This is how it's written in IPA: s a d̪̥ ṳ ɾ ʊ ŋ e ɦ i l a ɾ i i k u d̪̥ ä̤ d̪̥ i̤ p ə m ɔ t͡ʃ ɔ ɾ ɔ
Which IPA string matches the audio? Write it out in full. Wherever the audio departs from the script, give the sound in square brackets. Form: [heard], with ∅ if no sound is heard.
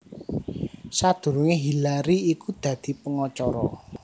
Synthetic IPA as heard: s a d̪̥ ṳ ɾ [u] ŋ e ɦ i l a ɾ i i k u d̪̥ ä̤ d̪̥ i̤ p ə [ŋ] ɔ t͡ʃ ɔ ɾ ɔ